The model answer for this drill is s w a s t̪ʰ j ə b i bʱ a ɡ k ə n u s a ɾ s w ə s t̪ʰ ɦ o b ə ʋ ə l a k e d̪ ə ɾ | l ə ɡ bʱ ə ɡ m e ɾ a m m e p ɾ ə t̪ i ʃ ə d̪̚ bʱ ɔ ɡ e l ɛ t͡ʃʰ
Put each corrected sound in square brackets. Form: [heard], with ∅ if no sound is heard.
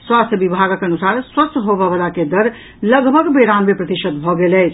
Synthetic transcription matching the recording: s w a s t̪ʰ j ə b i bʱ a ɡ k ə n u s a ɾ s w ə s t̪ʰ ɦ o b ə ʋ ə l a k e d̪ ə ɾ | l ə ɡ bʱ ə ɡ [b] e ɾ a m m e p ɾ ə t̪ i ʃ ə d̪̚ bʱ ɔ ɡ e l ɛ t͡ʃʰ